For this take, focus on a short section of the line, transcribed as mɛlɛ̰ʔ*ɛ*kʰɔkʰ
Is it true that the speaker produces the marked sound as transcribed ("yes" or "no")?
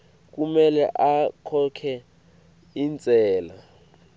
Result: no